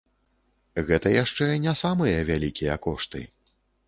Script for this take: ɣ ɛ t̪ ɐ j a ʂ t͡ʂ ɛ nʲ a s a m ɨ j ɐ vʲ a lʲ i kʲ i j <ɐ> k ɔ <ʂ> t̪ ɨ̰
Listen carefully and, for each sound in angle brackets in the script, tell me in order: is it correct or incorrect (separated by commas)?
correct, correct